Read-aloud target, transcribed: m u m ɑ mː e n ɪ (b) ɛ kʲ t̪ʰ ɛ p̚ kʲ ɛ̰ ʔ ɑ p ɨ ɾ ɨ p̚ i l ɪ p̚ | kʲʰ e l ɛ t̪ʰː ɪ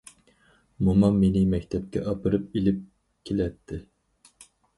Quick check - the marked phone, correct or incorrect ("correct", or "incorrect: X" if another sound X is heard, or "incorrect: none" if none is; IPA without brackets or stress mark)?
incorrect: m